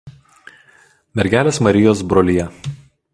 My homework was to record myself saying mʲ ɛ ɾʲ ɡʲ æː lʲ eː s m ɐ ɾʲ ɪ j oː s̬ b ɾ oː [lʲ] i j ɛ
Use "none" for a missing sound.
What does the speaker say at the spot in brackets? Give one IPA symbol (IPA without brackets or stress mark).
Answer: lʲ